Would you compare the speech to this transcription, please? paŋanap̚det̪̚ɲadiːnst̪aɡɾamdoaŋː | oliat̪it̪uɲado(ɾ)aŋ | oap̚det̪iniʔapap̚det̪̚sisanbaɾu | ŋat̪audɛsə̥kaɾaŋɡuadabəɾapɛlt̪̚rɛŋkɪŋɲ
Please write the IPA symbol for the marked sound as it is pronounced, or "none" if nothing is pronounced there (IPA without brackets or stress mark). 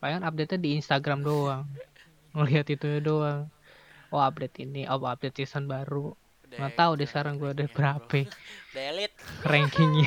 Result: none